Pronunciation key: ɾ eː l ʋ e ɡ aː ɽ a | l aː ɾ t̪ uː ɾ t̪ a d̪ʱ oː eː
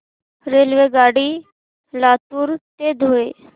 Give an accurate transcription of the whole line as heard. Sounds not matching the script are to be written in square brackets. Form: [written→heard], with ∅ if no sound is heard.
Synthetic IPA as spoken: ɾ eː l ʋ e ɡ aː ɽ [a→i] | l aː [ɾ→∅] t̪ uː ɾ t̪ [a→e] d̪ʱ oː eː

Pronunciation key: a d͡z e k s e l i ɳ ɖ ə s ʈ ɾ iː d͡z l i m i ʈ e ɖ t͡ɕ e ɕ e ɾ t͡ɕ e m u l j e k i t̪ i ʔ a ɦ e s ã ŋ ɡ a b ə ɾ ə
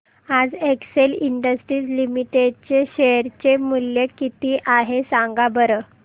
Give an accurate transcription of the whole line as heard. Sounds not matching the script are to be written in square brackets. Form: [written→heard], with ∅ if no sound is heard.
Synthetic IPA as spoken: a d͡z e k s e l i ɳ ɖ ə s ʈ ɾ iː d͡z l i m i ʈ e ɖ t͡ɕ e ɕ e ɾ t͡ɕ e m u l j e k i t̪ i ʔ a ɦ e s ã ŋ ɡ a b ə ɾ ə

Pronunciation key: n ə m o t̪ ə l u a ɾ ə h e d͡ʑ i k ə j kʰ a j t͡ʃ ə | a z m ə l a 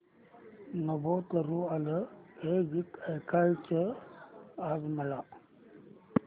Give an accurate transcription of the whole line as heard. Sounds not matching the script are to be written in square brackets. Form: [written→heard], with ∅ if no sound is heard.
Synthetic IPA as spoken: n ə [m→b] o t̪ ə [l→ɾ] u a [ɾ→l] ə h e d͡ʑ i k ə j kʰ a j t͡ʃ ə | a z m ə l a

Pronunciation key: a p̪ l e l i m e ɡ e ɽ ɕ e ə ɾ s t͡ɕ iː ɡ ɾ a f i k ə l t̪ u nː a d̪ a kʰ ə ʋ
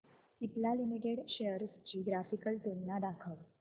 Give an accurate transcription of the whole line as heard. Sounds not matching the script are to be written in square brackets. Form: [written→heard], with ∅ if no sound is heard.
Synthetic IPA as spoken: [a→i] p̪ l [e→a] l i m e ɡ e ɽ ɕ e ə ɾ s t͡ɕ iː ɡ ɾ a f i k ə l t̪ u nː a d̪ a kʰ ə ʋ

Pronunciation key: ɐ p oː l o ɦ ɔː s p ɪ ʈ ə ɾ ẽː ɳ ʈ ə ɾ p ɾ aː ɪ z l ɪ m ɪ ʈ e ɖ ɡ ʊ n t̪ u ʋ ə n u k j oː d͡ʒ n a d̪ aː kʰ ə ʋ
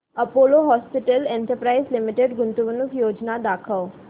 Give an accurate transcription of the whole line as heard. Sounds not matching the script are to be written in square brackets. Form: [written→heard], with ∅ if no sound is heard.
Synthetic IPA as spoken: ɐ p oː l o ɦ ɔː s p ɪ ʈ ə [ɾ→l] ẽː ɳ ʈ ə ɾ p ɾ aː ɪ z l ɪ m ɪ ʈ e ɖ ɡ ʊ n t̪ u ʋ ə n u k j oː d͡ʒ n a d̪ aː kʰ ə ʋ

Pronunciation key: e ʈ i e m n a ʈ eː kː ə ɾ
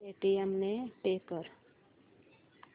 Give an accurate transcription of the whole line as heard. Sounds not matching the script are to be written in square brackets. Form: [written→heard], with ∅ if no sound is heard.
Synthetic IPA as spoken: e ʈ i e m n [a→e] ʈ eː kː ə ɾ

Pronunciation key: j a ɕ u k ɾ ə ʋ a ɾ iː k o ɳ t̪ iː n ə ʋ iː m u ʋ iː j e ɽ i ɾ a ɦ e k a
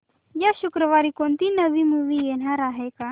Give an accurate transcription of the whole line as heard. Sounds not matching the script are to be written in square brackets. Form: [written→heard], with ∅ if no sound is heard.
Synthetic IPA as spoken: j a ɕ u k ɾ ə ʋ a ɾ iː k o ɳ t̪ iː n ə ʋ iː m u ʋ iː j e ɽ [i→a] ɾ a ɦ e k a

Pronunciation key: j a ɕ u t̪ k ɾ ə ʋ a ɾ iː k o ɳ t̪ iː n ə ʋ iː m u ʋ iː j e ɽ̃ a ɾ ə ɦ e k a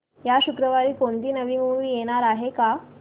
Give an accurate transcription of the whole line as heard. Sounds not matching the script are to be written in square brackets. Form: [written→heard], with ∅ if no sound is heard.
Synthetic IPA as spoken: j a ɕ u [t̪→∅] k ɾ ə ʋ a ɾ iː k o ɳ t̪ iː n ə ʋ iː m u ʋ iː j e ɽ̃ a ɾ [ə→a] ɦ e k a

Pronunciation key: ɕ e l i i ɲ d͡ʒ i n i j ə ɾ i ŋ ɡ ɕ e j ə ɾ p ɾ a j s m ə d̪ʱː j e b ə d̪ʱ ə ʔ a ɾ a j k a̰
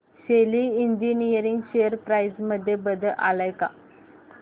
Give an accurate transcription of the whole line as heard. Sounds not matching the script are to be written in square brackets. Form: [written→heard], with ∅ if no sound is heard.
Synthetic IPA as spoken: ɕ e l i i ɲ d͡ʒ i n i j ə ɾ i ŋ ɡ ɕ e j ə ɾ p ɾ a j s m ə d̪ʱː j e b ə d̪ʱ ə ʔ a [ɾ→l] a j k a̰

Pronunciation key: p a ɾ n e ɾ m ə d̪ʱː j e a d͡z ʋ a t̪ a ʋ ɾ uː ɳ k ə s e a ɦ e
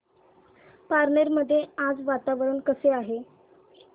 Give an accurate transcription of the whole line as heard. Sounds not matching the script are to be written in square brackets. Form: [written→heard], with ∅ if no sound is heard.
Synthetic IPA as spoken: p a ɾ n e ɾ m ə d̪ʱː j e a d͡z ʋ a t̪ a ʋ ɾ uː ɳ k ə s e a ɦ e

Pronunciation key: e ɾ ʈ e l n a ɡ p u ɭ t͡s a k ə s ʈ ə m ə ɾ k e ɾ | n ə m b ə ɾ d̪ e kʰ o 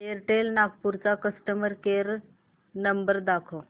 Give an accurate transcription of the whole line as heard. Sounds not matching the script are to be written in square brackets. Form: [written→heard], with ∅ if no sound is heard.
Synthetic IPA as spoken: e ɾ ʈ e l n a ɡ p u [ɭ→ɾ] t͡s a k ə s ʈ ə m ə ɾ k e ɾ | n ə m b ə ɾ d̪ [e→a] kʰ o

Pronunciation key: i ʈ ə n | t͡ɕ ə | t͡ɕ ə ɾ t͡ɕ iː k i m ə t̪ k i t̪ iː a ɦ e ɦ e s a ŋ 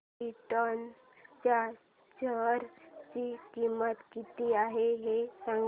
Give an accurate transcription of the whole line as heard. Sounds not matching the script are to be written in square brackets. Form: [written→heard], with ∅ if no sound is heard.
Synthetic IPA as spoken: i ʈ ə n | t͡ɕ [ə→a] | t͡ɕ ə ɾ t͡ɕ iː k i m ə t̪ k i t̪ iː a ɦ e ɦ e s a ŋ

